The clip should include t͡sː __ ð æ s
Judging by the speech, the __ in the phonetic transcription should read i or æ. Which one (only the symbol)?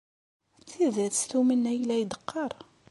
i